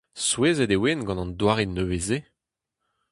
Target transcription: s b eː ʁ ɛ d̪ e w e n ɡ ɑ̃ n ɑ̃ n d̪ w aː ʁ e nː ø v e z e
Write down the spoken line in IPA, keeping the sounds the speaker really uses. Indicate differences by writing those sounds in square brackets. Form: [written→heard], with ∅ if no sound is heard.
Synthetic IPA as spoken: s [b→w] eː [ʁ→z] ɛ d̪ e w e n ɡ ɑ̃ n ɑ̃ n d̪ w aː ʁ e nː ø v e z e